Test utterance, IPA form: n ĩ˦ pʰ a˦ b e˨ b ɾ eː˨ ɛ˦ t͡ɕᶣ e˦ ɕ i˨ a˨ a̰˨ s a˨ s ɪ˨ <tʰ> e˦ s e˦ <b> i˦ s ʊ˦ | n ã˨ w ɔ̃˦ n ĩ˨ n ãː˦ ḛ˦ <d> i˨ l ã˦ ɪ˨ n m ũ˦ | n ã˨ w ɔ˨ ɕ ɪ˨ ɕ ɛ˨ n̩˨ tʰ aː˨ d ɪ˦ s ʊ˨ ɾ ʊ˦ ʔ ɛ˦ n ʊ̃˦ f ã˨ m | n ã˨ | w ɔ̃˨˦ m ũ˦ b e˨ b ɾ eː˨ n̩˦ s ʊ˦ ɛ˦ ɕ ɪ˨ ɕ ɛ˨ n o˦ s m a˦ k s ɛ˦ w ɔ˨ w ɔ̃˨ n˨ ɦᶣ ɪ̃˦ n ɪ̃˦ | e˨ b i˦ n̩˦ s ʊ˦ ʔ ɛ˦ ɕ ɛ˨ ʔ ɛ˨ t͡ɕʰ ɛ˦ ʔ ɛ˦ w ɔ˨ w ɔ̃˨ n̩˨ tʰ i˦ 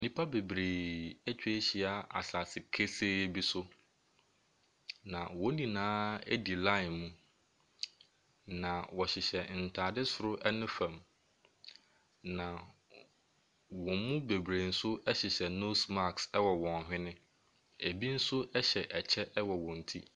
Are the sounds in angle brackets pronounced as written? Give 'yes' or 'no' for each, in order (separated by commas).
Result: no, yes, yes